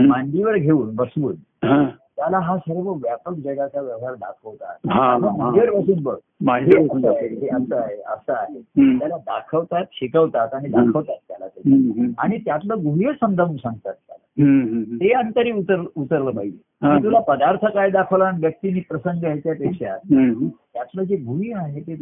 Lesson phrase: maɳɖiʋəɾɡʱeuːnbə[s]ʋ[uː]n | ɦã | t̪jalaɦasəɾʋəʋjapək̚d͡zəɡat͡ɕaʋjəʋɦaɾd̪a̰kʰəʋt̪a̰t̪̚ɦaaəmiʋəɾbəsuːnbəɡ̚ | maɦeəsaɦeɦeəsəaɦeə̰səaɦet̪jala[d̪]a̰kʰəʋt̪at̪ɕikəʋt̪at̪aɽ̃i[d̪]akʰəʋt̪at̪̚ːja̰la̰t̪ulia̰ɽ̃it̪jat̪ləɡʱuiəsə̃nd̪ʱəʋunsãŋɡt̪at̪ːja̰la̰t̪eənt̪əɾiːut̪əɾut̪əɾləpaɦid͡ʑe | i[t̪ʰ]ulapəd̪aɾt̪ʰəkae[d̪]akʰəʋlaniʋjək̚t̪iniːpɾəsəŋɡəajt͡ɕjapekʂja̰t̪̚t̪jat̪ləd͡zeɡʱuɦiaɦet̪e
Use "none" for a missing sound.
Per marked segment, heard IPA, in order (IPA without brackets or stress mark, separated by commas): s, uː, d̪, d̪, t̪, d̪